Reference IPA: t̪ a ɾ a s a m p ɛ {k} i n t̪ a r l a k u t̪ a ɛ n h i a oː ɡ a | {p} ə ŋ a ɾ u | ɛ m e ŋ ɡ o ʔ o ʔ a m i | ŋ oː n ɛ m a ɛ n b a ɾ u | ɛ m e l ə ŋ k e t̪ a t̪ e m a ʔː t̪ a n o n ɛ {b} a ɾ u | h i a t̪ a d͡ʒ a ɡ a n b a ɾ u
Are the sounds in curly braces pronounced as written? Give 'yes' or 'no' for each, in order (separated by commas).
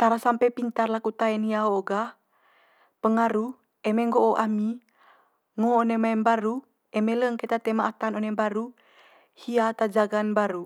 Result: no, yes, yes